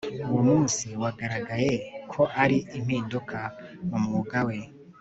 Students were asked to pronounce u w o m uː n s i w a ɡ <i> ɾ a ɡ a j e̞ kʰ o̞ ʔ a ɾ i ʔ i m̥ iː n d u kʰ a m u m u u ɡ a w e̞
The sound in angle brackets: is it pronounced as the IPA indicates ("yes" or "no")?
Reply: no